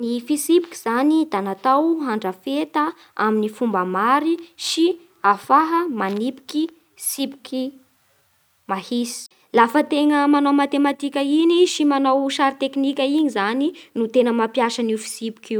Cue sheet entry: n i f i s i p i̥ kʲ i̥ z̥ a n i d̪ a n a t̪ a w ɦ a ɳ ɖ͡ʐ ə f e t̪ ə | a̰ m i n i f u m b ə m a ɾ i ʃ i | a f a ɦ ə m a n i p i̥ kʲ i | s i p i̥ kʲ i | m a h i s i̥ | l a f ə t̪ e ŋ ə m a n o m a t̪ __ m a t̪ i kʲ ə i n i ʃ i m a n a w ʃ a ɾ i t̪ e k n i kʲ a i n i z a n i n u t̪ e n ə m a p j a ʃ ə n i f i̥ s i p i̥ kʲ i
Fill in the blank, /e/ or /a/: e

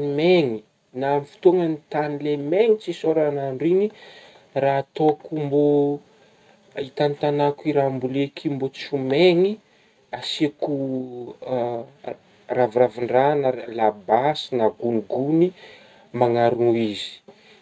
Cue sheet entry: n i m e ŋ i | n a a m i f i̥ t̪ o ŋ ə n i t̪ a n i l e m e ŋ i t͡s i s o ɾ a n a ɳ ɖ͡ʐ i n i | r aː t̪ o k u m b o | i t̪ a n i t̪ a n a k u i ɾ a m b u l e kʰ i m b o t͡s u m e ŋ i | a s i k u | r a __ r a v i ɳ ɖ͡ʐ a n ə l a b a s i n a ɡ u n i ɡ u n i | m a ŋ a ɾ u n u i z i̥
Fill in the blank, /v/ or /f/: v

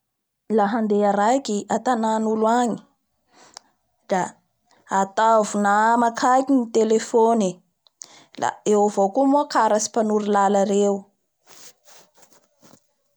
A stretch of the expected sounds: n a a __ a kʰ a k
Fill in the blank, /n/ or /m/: m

